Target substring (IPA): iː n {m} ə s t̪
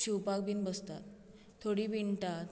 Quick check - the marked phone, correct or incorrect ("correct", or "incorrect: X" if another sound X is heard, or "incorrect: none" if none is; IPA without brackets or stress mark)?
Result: incorrect: b